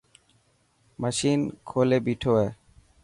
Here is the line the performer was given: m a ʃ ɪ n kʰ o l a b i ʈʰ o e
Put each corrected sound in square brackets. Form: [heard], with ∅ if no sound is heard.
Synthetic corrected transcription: m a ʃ [i] n kʰ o l [e] b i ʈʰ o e